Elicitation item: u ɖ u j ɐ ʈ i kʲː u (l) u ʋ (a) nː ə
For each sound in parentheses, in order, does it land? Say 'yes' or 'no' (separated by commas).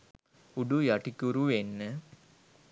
no, no